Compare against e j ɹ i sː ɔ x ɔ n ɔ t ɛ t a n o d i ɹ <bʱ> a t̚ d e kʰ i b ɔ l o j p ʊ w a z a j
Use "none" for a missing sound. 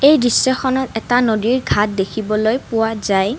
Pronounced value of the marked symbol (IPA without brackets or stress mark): ɡʱ